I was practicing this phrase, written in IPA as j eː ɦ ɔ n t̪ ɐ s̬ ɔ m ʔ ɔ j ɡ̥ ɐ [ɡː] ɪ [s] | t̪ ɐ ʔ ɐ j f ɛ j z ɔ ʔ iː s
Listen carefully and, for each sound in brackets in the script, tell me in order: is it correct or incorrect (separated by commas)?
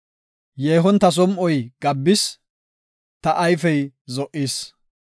incorrect, correct